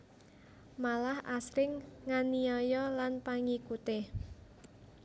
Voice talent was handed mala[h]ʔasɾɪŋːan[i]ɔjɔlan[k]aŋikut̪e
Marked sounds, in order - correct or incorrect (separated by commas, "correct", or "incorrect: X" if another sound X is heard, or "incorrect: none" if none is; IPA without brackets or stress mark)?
correct, correct, incorrect: p